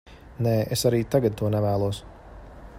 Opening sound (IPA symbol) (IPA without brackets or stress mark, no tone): n